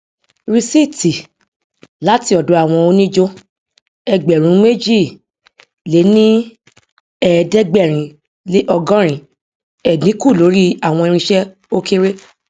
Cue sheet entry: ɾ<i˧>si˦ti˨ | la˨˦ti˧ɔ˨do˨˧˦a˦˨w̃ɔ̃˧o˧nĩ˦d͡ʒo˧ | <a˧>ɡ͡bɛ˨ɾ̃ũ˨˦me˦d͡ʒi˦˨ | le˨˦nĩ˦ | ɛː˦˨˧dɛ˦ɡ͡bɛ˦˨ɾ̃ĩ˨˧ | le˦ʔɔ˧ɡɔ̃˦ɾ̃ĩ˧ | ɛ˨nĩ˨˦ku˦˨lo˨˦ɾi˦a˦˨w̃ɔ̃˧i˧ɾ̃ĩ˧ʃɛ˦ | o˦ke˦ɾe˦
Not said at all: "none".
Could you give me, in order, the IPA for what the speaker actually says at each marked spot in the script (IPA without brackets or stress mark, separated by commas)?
i˧, ɛ˧